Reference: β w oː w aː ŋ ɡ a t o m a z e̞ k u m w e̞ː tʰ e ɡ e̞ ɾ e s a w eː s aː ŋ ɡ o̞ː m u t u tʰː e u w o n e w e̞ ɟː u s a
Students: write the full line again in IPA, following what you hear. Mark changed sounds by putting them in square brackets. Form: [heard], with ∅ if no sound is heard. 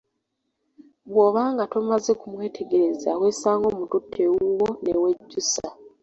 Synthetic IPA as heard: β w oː [β] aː ŋ ɡ a t o m a z e̞ k u m w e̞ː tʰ e ɡ e̞ ɾ e [z] a w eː s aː ŋ ɡ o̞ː m u t u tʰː e u w o n e w e̞ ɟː u s a